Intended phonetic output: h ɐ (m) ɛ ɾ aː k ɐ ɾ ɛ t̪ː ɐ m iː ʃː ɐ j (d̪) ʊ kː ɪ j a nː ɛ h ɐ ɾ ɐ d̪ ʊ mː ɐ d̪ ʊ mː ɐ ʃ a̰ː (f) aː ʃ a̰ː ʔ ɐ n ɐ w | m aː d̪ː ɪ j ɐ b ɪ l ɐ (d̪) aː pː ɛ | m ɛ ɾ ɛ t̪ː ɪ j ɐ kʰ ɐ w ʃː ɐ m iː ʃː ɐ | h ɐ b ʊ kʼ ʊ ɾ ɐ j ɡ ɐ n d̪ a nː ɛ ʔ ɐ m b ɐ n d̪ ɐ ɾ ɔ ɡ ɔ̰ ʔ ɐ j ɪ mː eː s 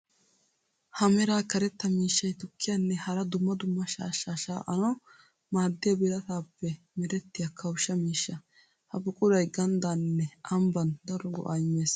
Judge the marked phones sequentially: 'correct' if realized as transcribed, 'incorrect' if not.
correct, incorrect: t̪, incorrect: ʃ, incorrect: t̪

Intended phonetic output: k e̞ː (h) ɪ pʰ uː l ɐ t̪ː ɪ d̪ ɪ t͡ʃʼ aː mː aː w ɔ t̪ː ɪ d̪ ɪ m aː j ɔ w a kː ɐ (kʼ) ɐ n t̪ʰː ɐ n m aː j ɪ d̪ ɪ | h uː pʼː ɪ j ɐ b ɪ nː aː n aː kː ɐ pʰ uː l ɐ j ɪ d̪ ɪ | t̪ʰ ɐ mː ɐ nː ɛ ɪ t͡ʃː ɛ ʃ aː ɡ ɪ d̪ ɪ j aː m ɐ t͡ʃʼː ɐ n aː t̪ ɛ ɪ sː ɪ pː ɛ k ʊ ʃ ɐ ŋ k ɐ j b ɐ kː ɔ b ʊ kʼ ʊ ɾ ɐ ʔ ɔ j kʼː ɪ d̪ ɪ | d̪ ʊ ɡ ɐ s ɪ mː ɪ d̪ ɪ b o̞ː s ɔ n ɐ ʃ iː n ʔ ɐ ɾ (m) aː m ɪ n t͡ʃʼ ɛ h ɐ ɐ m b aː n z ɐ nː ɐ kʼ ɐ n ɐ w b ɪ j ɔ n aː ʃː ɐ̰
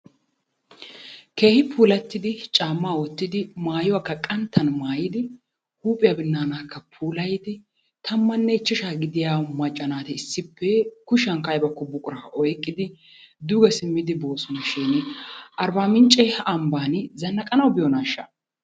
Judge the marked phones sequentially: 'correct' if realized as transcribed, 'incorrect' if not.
correct, correct, incorrect: b

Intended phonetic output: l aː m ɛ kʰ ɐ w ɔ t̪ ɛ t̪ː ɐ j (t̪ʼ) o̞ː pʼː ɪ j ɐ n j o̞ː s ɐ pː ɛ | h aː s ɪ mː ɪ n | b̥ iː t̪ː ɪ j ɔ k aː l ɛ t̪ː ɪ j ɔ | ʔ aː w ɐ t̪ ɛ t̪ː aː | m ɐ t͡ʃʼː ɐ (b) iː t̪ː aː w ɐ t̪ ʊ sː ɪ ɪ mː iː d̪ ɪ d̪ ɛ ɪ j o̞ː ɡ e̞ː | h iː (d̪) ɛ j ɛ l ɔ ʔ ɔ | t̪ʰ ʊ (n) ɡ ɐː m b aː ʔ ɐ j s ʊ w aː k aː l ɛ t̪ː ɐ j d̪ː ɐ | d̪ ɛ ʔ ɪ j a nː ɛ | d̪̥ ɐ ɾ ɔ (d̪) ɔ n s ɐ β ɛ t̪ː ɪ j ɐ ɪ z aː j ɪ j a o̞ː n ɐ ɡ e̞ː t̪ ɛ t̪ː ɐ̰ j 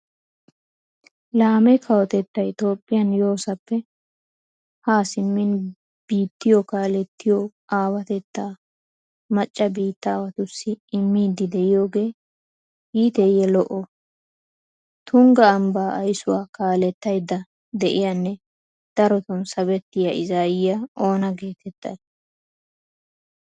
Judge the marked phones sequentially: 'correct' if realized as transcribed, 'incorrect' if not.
incorrect: t̪, correct, incorrect: t̪, incorrect: ŋ, incorrect: t̪

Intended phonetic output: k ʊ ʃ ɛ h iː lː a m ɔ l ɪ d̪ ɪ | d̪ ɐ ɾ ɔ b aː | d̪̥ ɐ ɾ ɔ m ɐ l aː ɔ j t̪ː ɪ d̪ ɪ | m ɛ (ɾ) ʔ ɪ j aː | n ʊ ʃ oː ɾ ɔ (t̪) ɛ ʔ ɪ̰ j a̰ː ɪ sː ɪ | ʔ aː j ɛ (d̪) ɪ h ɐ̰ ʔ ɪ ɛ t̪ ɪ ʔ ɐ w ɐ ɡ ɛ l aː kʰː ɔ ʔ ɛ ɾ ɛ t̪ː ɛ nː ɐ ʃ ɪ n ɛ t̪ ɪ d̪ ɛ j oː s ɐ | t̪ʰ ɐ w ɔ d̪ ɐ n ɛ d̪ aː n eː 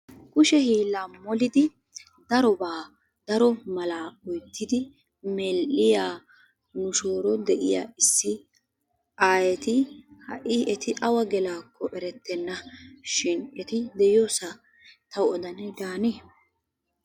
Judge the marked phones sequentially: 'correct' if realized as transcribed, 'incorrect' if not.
incorrect: l, incorrect: d̪, incorrect: t̪

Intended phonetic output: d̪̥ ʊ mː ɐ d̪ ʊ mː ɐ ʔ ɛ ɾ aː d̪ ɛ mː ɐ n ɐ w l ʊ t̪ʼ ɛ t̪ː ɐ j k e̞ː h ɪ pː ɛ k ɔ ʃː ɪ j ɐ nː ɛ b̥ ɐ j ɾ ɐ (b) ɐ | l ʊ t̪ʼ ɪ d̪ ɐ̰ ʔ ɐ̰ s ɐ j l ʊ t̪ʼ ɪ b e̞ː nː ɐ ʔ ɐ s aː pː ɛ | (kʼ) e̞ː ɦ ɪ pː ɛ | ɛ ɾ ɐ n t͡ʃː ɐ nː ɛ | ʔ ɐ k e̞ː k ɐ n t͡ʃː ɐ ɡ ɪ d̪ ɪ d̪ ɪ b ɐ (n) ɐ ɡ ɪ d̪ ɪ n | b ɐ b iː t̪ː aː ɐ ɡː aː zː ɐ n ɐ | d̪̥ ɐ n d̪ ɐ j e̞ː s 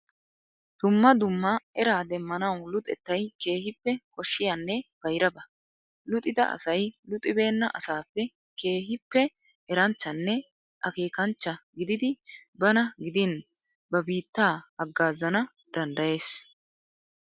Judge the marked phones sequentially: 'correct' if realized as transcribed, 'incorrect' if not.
correct, incorrect: k, correct

